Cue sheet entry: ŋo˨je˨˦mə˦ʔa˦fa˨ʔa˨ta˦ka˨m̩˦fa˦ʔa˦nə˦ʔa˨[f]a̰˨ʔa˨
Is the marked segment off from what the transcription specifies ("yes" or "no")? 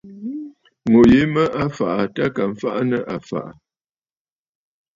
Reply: no